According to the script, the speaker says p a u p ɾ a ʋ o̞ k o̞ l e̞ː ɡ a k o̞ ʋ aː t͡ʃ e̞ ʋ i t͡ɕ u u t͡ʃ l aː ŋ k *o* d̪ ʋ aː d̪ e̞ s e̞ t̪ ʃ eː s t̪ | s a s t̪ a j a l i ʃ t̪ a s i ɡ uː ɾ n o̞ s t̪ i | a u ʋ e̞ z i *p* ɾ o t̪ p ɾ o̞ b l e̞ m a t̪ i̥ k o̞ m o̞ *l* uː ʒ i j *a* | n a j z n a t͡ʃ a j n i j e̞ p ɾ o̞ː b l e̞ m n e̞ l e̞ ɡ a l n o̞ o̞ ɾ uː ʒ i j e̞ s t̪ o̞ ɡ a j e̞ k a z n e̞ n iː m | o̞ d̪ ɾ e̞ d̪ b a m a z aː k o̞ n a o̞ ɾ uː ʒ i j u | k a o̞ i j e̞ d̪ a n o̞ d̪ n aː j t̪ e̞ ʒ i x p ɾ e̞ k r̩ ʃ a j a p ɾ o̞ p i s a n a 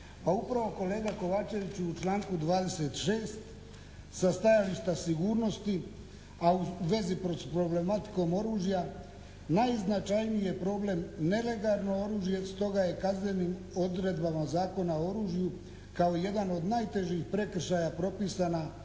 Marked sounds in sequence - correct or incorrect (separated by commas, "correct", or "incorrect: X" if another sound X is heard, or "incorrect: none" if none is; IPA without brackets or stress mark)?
incorrect: u, correct, incorrect: ɾ, correct